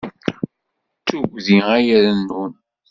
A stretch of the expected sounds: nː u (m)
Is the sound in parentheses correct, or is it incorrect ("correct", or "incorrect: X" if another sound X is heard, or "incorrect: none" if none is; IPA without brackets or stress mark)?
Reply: incorrect: n